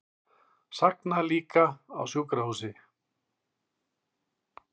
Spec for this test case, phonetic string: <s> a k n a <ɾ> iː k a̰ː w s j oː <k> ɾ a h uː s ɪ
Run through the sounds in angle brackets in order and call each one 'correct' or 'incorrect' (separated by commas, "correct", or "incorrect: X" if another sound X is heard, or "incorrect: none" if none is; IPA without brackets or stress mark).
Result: correct, incorrect: l, correct